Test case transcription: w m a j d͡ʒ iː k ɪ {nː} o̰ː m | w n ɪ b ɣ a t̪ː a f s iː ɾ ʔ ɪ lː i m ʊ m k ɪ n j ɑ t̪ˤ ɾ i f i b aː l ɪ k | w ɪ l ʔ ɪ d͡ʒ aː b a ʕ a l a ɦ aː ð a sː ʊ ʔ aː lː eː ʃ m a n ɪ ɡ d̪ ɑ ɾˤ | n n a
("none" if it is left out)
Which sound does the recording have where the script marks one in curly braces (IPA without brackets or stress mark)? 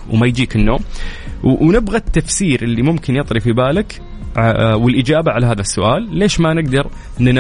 nː